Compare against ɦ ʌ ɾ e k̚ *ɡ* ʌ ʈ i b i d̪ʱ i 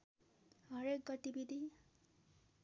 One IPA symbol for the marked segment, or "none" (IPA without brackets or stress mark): ɡ